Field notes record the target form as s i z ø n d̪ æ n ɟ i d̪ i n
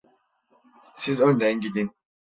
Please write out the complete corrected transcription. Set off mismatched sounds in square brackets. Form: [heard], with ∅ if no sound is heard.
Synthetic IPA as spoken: s i z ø n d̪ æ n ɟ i d̪ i n